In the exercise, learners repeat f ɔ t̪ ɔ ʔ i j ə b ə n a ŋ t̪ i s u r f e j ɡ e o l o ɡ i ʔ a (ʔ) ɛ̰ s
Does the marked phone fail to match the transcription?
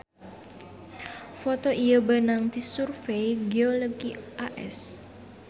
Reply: no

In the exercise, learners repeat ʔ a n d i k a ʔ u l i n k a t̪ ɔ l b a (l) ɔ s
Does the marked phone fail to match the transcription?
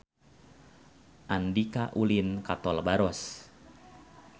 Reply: yes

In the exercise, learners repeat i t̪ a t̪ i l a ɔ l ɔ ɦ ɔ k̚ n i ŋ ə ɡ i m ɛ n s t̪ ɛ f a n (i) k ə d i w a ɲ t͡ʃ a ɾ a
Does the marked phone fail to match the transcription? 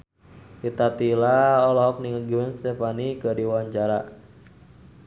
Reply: no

